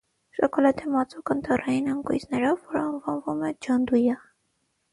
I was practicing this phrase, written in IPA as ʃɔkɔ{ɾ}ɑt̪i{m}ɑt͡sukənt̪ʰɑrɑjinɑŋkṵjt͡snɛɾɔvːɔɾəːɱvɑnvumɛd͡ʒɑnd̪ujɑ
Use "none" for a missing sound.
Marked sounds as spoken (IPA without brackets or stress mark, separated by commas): l, m